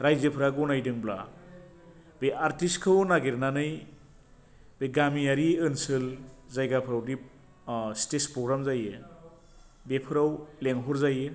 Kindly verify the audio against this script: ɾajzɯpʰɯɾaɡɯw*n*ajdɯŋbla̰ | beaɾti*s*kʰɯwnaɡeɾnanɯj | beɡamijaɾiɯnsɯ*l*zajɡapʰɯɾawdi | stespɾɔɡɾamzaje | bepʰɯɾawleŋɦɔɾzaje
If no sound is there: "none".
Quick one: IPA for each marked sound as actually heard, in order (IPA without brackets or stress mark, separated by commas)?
n, s, l